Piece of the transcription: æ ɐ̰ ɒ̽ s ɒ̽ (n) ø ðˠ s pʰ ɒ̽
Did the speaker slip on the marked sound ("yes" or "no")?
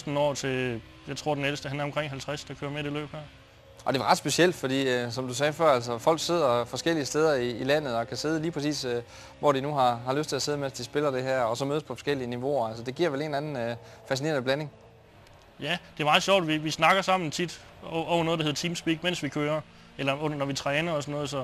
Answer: yes